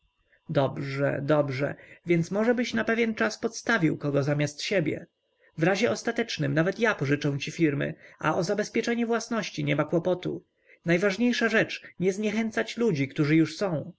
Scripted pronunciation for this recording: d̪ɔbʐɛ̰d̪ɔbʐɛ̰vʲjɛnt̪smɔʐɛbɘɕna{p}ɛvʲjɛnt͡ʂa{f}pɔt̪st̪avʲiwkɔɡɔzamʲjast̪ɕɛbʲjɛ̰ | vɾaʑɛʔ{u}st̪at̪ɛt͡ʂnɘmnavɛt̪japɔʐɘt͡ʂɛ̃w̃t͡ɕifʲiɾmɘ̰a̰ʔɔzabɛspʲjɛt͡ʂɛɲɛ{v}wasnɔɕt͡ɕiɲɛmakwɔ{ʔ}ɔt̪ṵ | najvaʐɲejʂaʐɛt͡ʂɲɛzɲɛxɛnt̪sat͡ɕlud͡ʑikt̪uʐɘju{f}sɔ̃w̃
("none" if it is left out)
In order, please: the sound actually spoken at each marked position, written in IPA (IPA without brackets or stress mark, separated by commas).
p, s, ɔ, v, p, ʂ